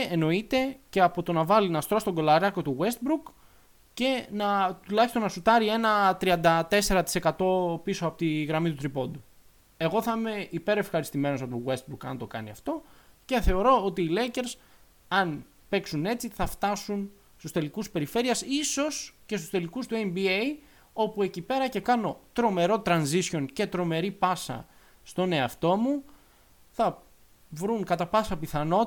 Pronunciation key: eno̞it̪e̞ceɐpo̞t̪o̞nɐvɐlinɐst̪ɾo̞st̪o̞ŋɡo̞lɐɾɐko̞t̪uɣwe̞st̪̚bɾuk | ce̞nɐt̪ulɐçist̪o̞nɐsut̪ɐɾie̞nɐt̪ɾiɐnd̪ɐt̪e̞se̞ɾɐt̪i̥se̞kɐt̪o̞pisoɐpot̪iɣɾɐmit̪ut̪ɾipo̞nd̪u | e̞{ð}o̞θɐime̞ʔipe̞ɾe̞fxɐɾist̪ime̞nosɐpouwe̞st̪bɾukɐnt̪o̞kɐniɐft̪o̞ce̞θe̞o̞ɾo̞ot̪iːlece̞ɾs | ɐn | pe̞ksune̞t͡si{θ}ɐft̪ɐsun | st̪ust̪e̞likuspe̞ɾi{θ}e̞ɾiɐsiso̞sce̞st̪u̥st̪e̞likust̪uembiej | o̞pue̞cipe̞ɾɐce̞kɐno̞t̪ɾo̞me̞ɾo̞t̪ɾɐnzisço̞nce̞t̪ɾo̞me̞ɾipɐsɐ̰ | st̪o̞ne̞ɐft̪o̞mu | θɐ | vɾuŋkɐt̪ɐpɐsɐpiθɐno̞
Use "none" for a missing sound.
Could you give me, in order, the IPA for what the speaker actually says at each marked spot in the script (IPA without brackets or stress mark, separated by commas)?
ɣ, θ, f